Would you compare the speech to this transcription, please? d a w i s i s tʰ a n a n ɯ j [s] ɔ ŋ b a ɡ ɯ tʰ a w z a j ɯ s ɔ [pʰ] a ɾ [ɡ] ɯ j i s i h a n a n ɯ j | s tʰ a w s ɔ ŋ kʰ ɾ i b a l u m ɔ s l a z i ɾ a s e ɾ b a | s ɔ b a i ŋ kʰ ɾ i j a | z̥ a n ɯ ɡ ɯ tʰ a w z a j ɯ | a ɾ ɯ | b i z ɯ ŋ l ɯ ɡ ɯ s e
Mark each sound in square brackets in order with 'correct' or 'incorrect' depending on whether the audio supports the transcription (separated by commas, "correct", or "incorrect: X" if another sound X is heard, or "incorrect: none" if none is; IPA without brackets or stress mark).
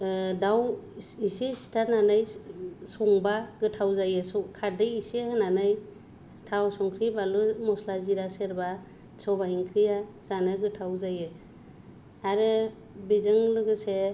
correct, incorrect: kʰ, incorrect: d